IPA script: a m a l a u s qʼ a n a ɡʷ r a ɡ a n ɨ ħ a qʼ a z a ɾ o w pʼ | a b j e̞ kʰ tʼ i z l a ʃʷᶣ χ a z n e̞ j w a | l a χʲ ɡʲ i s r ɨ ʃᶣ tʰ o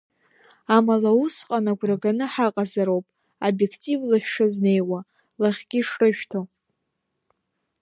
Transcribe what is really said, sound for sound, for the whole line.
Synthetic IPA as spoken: a m a l a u s qʼ a n a ɡʷ r a ɡ a n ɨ ħ a qʼ a z a ɾ o w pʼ | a b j e̞ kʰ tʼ i v l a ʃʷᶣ ʂ a z n e̞ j w a | l a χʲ ɡʲ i ʂ r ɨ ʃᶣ tʰ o